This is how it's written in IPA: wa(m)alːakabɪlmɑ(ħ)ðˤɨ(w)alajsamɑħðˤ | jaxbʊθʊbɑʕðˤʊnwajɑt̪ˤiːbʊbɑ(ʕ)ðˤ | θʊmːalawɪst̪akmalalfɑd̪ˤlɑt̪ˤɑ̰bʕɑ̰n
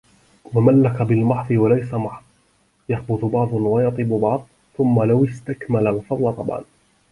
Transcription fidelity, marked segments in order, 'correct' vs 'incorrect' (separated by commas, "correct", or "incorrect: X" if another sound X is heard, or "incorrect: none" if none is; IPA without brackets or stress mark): correct, correct, correct, correct